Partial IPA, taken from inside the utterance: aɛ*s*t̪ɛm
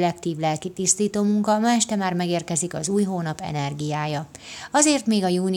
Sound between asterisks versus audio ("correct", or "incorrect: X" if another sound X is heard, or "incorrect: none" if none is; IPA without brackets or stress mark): incorrect: ʃ